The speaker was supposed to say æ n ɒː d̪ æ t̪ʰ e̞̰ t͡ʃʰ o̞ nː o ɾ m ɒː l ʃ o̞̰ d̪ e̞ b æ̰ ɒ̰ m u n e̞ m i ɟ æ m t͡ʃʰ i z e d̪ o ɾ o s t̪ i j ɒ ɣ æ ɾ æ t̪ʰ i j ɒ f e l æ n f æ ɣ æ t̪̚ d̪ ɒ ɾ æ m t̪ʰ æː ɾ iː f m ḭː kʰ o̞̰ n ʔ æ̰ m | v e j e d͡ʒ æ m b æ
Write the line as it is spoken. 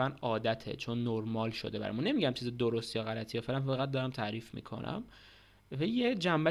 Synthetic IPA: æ n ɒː d̪ æ t̪ʰ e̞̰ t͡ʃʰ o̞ nː o ɾ m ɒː l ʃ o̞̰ d̪ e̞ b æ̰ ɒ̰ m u n e̞ m i ɟ æ m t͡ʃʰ i z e d̪ o ɾ o s t̪ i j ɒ ɣ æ l æ t̪ʰ i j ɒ f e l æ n f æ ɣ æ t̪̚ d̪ ɒ ɾ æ m t̪ʰ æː ɾ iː f m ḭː kʰ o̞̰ n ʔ æ̰ m | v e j e d͡ʒ æ m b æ